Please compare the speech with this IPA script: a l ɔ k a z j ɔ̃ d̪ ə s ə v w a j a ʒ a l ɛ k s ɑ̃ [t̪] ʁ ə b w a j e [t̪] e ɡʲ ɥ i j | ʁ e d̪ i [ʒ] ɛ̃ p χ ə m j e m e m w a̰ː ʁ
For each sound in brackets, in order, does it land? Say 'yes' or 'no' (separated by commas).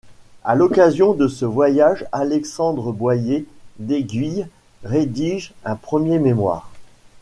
no, no, yes